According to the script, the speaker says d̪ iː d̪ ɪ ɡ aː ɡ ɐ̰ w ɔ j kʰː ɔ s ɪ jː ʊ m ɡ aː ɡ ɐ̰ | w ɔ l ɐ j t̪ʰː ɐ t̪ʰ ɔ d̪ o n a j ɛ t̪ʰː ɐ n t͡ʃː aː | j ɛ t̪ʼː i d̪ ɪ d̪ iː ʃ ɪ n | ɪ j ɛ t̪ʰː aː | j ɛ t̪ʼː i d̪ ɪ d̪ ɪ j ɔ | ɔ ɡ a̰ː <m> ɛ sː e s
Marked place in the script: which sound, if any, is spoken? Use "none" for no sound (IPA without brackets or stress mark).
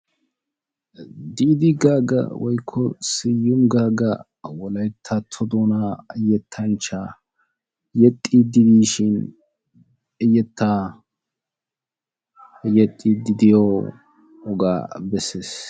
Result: b